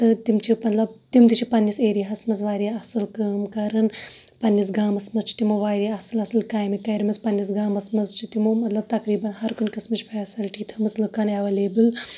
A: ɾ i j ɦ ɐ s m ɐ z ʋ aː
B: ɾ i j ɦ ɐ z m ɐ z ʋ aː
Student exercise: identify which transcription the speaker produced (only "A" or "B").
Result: A